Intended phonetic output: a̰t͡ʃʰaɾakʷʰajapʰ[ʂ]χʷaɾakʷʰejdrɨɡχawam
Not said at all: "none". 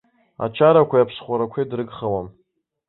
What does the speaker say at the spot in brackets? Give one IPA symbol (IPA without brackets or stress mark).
s